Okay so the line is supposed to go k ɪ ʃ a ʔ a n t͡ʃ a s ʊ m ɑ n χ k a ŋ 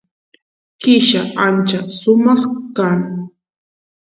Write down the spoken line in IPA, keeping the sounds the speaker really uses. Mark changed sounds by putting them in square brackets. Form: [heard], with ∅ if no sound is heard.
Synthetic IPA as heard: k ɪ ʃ a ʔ a n t͡ʃ a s ʊ m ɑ [∅] χ k a ŋ